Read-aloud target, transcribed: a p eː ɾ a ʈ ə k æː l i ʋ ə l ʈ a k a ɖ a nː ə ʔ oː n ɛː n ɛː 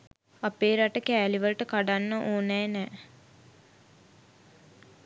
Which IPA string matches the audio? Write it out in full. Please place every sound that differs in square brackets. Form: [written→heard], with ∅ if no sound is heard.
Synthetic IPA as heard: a p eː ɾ a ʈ ə k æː l i ʋ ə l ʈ [a→ə] k a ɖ a nː ə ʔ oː n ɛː n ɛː